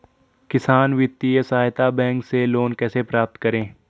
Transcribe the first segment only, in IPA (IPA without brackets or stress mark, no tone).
k